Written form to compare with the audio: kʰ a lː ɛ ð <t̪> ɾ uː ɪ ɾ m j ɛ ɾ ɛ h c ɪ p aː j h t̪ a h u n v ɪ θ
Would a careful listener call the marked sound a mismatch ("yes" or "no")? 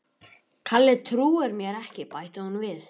yes